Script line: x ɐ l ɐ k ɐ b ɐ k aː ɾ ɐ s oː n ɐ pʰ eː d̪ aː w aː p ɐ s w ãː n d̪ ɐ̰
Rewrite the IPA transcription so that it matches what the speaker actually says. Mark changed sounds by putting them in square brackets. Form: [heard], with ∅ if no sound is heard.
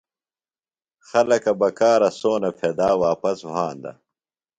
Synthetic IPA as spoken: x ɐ l ɐ k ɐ b ɐ k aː ɾ ɐ s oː n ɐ pʰ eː d̪ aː w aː p ɐ s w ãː n d̪ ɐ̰